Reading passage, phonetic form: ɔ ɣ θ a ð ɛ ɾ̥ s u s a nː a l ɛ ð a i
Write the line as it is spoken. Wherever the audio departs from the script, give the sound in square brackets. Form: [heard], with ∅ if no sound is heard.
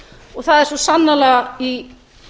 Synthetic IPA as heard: ɔ ɣ θ a ð ɛ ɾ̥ s [ɔ] s a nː a l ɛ [ɣ] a i